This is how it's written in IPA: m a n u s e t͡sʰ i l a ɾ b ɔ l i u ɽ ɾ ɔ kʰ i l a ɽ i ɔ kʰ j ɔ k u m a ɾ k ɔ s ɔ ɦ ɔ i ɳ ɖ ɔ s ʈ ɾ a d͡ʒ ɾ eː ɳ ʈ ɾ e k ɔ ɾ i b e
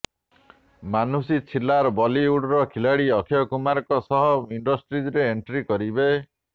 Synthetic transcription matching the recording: m a n u s i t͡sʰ i l a ɾ b ɔ l i u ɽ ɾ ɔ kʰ i l a ɽ i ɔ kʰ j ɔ k u m a ɾ k ɔ s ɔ ɦ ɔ i ɳ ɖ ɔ s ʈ ɾ i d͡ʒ ɾ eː ɳ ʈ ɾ i k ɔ ɾ i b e